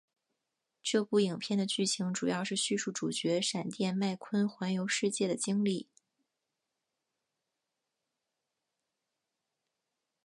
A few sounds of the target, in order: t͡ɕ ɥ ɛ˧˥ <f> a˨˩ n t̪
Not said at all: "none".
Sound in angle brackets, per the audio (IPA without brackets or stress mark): ʂ